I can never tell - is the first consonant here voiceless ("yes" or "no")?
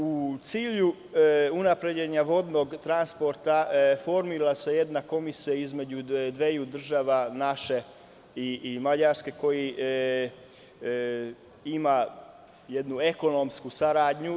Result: yes